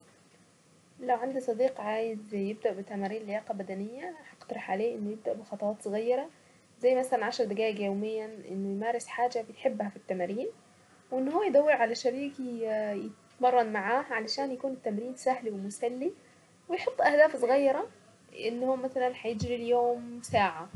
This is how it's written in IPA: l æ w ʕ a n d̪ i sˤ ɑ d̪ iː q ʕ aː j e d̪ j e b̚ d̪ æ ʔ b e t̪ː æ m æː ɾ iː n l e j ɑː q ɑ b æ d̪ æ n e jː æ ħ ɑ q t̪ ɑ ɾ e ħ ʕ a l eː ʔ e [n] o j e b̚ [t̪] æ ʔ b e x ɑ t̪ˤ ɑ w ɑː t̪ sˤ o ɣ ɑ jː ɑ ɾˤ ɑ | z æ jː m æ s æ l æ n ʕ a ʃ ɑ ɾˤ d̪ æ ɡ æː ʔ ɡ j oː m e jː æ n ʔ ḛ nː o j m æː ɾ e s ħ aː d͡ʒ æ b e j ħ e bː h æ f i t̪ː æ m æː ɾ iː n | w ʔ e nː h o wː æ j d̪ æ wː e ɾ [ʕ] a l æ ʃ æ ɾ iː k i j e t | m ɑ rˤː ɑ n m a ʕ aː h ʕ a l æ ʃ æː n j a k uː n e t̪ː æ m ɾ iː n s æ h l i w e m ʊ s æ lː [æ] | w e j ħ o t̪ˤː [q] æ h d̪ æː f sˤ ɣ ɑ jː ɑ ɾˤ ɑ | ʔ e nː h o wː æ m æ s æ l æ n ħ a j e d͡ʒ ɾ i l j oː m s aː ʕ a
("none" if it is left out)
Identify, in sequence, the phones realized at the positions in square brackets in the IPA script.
nː, d̪, ʕ, i, ʔ

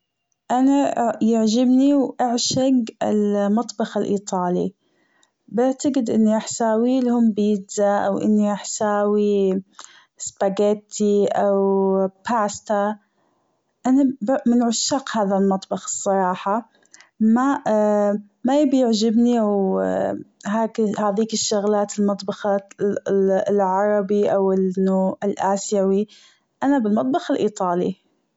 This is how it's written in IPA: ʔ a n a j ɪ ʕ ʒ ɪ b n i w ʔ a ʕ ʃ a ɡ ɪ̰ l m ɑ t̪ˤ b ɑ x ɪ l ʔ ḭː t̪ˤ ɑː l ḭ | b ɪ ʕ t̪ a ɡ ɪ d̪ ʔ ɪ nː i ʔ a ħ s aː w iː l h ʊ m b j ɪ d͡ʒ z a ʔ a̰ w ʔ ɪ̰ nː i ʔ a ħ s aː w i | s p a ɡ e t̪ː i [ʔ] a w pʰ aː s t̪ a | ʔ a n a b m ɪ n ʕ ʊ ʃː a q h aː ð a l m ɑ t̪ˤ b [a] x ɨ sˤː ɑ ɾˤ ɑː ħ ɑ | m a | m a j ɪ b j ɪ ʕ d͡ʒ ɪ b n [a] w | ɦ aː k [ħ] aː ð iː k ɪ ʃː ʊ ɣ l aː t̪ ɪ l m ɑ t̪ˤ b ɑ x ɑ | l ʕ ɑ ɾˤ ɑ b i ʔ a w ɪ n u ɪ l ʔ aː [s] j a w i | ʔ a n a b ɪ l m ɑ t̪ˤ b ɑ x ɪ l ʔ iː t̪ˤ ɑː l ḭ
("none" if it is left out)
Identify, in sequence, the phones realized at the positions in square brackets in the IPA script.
ʔ, ɑ, i, h, s

